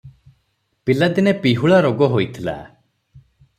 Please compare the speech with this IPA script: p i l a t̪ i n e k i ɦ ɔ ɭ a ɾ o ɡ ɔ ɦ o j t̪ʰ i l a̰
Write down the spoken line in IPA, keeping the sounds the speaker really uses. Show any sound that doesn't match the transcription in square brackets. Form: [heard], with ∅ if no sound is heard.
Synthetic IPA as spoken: p i l a [d̪] i n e [p] i ɦ [u] ɭ a ɾ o ɡ ɔ ɦ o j t̪ʰ i l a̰